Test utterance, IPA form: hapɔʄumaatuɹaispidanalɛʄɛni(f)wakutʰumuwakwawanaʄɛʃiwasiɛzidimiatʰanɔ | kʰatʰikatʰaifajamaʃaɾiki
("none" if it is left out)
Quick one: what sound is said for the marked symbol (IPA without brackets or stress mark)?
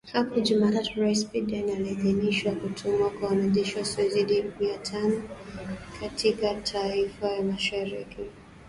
ʃ